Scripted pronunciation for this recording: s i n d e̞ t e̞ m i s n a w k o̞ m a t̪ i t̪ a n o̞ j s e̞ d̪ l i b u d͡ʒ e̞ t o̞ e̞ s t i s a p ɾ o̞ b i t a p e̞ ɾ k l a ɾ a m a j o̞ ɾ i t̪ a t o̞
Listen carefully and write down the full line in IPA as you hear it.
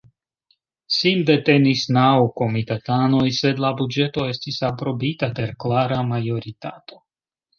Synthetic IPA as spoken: s i n d e̞ t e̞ n i s n a w k o̞ m i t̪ a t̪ a n o̞ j s e̞ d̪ l a b u d͡ʒ e̞ t o̞ e̞ s t i s a p ɾ o̞ b i t a p e̞ ɾ k l a ɾ a m a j o̞ ɾ i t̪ a t o̞

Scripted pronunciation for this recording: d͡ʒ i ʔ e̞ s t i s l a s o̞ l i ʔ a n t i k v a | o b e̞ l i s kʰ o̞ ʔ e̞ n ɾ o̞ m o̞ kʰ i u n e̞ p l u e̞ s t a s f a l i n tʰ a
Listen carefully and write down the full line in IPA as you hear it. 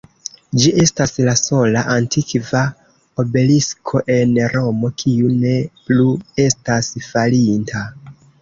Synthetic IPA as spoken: d͡ʒ i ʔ e̞ s t a s l a s o̞ l a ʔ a n t i k v a | o b e̞ l i s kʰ o̞ ʔ e̞ n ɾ o̞ m o̞ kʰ i u n e̞ p l u e̞ s t a s f a l i n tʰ a

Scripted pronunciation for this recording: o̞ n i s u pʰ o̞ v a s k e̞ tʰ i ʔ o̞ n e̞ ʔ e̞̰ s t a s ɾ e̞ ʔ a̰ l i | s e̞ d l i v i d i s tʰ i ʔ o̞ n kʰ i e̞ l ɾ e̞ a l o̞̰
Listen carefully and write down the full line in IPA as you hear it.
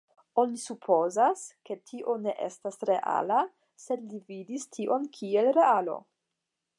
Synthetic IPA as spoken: o̞ n i s u pʰ o̞ z a s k e̞ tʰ i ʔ o̞ n e̞ ʔ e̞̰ s t a s ɾ e̞ ʔ a̰ l a | s e̞ d l i v i d i s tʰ i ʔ o̞ n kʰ i e̞ l ɾ e̞ a l o̞̰

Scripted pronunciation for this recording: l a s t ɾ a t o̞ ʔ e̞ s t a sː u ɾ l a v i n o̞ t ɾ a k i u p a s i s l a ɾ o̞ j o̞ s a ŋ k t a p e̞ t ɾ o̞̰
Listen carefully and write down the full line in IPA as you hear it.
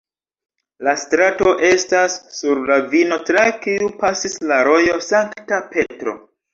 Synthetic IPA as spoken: l a s t ɾ a t o̞ ʔ e̞ s t a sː u ɾ l a v i n o̞ t ɾ a k i u p a s i s l a ɾ o̞ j o̞ s a ŋ k t a p e̞ t ɾ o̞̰

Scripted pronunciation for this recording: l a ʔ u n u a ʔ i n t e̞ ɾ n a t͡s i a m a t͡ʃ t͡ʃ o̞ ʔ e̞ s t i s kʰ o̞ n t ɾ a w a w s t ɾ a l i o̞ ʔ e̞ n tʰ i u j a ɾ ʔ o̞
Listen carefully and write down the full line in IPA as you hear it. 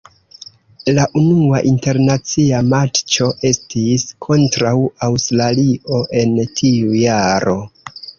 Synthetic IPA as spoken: l a ʔ u n u a ʔ i n t e̞ ɾ n a t͡s i a m a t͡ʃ t͡ʃ o̞ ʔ e̞ s t i s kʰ o̞ n t ɾ a w a w s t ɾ a l i o̞ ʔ e̞ n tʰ i u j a ɾ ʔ o̞

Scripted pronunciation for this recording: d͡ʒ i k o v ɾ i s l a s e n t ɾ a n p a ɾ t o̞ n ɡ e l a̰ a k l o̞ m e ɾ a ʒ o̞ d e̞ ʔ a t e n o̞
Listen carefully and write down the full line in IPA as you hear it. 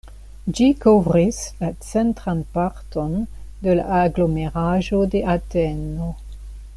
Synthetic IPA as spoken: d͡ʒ i k o v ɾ i s l a t͡s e n t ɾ a n p a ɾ t o̞ n d e l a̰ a ɡ l o̞ m e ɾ a ʒ o̞ d e̞ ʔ a t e n o̞

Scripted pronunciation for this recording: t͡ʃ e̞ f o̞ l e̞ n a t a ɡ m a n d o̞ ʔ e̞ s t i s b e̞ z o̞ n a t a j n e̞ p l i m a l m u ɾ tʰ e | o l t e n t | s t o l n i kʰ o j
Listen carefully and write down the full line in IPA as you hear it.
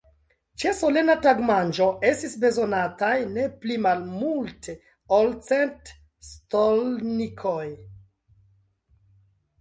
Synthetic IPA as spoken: t͡ʃ e̞ s o̞ l e̞ n a t a ɡ m a n d͡ʒ o̞ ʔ e̞ s t i s b e̞ z o̞ n a t a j n e̞ p l i m a l m u l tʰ e | o l t͡s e n t | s t o l n i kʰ o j

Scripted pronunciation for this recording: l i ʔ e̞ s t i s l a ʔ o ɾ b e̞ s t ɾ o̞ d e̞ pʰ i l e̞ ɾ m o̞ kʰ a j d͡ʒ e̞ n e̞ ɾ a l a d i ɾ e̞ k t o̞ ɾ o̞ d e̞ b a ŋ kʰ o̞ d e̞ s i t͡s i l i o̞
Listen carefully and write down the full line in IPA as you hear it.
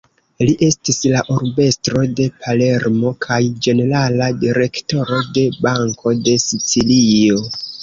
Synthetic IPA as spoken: l i ʔ e̞ s t i s l a ʔ o ɾ b e̞ s t ɾ o̞ d e̞ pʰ a l e̞ ɾ m o̞ kʰ a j d͡ʒ e̞ n e̞ ɾ a l a d i ɾ e̞ k t o̞ ɾ o̞ d e̞ b a ŋ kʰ o̞ d e̞ s i t͡s i l i o̞

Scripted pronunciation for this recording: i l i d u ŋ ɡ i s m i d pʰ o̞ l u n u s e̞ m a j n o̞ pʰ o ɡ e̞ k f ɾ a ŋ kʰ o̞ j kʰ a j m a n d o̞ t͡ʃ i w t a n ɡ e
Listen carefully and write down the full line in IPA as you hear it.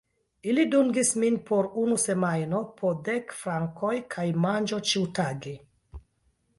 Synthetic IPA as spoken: i l i d u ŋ ɡ i s m i n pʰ o̞ ɾ u n u s e̞ m a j n o̞ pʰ o d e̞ k f ɾ a ŋ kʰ o̞ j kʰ a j m a n d͡ʒ o̞ t͡ʃ i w t a ɡ e

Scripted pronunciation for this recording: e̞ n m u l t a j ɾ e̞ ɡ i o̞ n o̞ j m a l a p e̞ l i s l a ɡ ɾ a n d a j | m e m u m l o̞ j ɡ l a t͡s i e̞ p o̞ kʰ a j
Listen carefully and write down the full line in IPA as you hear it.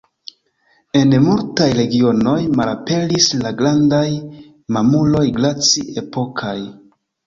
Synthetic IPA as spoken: e̞ n m u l t a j ɾ e̞ ɡ i o̞ n o̞ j m a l a p e̞ l i s l a ɡ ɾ a n d a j | m a m u l o̞ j ɡ l a t͡s i e̞ p o̞ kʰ a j

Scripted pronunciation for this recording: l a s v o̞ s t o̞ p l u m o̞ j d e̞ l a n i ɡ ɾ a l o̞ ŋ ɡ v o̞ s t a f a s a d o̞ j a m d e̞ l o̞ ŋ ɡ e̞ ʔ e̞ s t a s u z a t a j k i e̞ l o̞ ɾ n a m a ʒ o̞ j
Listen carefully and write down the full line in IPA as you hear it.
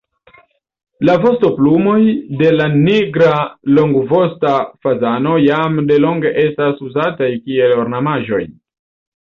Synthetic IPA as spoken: l a v o̞ s t o̞ p l u m o̞ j d e̞ l a n i ɡ ɾ a l o̞ ŋ ɡ v o̞ s t a f a z a n o̞ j a m d e̞ l o̞ ŋ ɡ e̞ ʔ e̞ s t a s u z a t a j k i e̞ l o̞ ɾ n a m a ʒ o̞ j

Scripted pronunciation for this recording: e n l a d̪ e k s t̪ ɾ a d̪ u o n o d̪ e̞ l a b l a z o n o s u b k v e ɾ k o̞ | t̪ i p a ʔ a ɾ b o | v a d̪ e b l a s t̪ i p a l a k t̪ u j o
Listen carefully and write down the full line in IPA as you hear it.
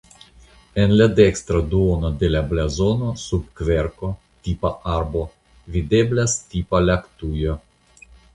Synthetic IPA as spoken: e n l a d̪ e k s t̪ ɾ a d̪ u o n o d̪ e̞ l a b l a z o n o s u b k v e ɾ k o̞ | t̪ i p a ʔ a ɾ b o | v i d̪ e b l a s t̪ i p a l a k t̪ u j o

